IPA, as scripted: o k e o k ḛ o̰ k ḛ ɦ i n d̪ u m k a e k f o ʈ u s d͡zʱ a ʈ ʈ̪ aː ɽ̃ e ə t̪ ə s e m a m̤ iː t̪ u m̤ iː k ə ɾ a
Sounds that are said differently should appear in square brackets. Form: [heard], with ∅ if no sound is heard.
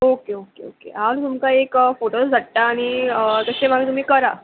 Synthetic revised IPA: o k e o k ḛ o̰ k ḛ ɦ [a] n [t̪] u m k a e k f o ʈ [o] s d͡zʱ a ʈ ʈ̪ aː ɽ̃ [i] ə t̪ ə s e m a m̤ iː t̪ u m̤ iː k ə ɾ a